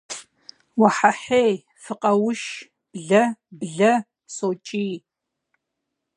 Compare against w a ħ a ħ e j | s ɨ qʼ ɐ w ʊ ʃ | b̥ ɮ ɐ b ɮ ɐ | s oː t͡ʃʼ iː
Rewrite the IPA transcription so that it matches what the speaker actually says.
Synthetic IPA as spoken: w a ħ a ħ e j | f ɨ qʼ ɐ w ʊ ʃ | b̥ ɮ ɐ b ɮ ɐ | s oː t͡ʃʼ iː

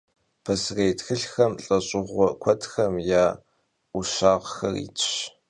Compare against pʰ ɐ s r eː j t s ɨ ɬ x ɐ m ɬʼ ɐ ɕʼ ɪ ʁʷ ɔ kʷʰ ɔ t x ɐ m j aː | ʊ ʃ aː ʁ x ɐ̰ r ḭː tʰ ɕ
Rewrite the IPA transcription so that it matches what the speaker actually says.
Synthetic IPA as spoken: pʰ ɐ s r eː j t x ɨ ɬ x ɐ m ɬʼ ɐ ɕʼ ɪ ʁʷ ɔ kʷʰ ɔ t x ɐ m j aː | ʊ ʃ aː ʁ x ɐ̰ r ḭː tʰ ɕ

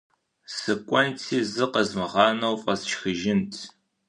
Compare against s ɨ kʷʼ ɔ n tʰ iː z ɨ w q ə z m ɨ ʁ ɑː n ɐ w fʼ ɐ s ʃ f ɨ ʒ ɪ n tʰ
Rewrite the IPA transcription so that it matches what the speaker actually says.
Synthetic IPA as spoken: s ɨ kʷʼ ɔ n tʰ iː z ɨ q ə z m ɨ ʁ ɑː n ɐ w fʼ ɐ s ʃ x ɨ ʒ ɪ n tʰ

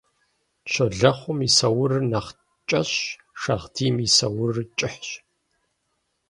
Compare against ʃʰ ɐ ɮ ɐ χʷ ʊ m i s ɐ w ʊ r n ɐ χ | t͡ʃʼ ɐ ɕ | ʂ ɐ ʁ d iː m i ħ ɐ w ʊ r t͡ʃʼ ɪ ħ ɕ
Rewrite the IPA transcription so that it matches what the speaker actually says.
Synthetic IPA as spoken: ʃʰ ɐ ɮ ɐ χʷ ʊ m i s ɐ w ʊ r n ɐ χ | t͡ʃʼ ɐ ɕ | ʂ ɐ ʁ d iː m i s ɐ w ʊ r t͡ʃʼ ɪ ħ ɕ

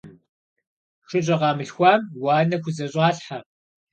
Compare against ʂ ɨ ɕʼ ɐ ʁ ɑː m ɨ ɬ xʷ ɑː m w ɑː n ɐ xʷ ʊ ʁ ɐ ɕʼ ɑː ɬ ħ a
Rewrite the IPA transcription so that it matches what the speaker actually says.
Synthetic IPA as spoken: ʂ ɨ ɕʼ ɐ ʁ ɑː m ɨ ɬ xʷ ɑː m w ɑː n ɐ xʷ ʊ z ɐ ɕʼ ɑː ɬ ħ a

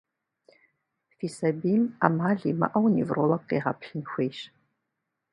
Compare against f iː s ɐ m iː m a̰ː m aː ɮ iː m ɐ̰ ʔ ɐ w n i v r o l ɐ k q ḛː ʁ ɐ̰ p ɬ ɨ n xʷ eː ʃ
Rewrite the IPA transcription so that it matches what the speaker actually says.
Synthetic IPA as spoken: f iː s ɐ b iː m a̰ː m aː ɮ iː m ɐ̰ ʔ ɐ w n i v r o l ɐ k q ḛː ʁ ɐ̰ p ɬ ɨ n xʷ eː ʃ

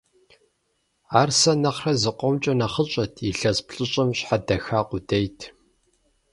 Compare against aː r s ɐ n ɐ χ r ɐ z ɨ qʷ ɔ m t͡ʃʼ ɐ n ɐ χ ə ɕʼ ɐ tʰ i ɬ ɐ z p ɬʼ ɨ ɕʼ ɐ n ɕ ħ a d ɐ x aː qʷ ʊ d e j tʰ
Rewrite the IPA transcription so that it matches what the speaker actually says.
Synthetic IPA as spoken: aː r s ɐ n ɐ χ r ɐ z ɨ qʷ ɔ m t͡ʃʼ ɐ n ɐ χ ə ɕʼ ɐ tʰ i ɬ ɐ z p ɬʼ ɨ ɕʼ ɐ m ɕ ħ a d ɐ x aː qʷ ʊ d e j tʰ

